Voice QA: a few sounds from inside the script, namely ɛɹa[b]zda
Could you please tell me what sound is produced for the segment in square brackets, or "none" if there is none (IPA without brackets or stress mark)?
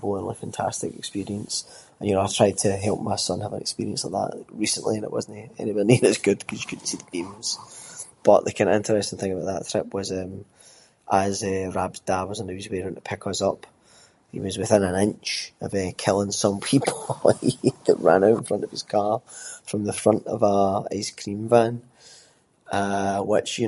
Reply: b